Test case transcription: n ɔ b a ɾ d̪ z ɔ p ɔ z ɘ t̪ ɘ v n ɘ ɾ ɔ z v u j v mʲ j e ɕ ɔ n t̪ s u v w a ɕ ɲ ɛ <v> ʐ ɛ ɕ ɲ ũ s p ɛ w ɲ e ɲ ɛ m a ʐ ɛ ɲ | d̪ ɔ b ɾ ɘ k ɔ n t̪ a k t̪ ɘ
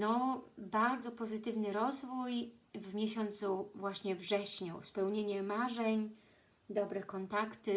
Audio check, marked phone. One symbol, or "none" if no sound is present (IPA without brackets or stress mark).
v